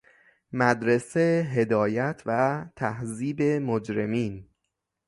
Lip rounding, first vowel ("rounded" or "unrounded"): unrounded